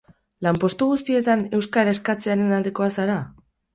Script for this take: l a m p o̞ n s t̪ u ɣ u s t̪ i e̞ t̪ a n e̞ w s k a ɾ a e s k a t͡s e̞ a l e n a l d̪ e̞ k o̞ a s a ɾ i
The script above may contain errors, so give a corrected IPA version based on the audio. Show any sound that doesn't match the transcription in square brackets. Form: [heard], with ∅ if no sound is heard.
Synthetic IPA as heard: l a m p o̞ [∅] s t̪ u ɣ u s t̪ i e̞ t̪ a n e̞ w s k a ɾ a e s k a t͡s e̞ a [ɾ] e n a l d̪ e̞ k o̞ a s a ɾ [a]